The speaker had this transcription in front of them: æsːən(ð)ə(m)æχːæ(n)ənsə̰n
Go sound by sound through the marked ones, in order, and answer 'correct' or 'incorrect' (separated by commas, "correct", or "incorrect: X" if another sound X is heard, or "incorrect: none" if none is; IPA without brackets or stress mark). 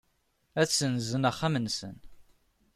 incorrect: z, incorrect: n, incorrect: m